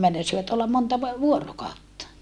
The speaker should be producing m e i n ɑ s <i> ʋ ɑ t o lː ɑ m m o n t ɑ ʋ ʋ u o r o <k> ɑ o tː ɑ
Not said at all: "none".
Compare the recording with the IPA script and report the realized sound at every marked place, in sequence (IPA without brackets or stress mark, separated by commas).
i, k